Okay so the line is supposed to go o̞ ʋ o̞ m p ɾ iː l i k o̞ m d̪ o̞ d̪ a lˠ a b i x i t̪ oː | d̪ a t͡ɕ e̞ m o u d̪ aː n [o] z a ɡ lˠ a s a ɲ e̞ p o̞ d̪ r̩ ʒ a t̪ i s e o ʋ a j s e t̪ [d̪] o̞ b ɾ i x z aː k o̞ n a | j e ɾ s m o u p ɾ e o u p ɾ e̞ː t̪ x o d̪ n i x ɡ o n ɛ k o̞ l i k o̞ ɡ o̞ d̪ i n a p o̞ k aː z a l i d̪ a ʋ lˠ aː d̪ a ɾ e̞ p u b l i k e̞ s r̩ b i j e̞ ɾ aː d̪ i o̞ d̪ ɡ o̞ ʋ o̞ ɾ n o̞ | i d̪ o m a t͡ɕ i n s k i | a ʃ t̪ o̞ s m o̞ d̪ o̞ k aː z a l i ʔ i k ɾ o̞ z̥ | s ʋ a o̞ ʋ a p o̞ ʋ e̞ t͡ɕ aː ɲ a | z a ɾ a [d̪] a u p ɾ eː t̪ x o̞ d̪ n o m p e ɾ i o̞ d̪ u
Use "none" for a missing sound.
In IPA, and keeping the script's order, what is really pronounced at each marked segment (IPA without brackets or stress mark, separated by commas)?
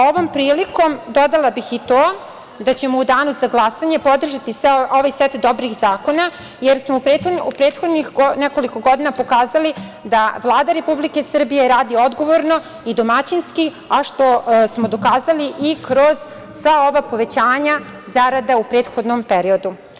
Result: u, d̪, d̪